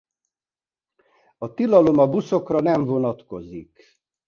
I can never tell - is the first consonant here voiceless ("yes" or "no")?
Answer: yes